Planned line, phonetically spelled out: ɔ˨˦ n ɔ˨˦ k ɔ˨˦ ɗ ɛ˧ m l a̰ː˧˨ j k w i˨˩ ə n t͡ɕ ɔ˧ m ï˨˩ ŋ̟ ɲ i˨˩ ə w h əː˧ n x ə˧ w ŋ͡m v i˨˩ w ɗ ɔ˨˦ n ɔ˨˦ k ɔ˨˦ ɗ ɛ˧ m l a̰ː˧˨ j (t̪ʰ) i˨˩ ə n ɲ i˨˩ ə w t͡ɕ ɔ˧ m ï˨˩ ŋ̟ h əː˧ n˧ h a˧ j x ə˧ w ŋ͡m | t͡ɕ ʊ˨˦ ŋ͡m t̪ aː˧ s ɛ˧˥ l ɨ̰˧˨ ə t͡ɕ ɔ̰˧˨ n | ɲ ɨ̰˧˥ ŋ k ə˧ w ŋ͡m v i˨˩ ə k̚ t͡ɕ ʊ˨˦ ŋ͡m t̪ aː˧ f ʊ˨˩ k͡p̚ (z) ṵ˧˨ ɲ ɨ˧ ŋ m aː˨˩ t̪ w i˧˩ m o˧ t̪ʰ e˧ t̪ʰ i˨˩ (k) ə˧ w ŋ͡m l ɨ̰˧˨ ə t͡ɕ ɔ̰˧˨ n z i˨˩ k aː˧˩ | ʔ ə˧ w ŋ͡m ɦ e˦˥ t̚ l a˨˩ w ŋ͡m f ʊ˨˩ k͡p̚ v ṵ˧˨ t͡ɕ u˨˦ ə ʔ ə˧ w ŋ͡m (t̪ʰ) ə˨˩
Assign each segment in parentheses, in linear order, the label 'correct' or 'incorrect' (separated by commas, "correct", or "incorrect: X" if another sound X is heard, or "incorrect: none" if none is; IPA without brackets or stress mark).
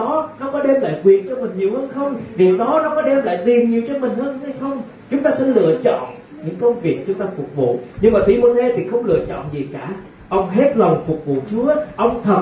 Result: incorrect: t̪, incorrect: v, incorrect: x, correct